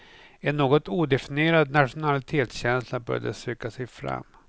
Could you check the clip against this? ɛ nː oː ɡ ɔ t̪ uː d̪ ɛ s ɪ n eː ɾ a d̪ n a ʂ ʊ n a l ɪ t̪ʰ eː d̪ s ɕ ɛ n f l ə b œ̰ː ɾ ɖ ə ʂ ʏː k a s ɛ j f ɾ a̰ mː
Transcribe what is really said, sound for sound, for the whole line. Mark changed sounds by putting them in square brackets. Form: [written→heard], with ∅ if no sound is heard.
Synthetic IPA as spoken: ɛ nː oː ɡ ɔ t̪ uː d̪ ɛ [s→f] ɪ n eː ɾ a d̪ n a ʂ ʊ n a l ɪ t̪ʰ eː [d̪→t̪] s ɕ ɛ n [f→s] l [ə→a] b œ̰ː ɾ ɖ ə [ʂ→s] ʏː k a s ɛ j f ɾ a̰ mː